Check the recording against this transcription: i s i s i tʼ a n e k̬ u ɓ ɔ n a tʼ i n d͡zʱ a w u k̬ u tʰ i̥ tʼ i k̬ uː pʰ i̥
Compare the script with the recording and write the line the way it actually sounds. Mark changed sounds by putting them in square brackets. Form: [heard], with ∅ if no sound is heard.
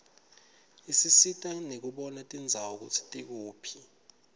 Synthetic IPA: i s i s i tʼ a n e k̬ u ɓ ɔ n a tʼ i n d͡zʱ a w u k̬ u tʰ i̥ tʼ i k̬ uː pʰ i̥